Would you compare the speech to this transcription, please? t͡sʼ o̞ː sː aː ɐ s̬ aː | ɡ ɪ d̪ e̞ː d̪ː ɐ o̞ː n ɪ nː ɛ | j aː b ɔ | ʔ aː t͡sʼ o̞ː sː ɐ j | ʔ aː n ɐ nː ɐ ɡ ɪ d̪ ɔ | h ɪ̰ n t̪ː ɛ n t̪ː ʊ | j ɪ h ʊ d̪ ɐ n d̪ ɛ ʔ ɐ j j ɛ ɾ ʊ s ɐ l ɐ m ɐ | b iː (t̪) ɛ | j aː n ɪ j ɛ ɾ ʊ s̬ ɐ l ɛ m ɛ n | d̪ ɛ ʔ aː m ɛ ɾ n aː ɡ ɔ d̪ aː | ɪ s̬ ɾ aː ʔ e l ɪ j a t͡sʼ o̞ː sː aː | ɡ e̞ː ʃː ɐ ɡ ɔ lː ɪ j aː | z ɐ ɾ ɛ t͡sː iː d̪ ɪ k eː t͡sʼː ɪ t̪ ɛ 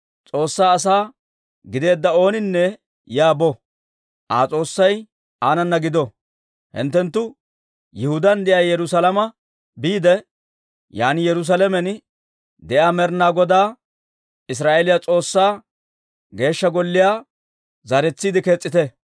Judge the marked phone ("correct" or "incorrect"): incorrect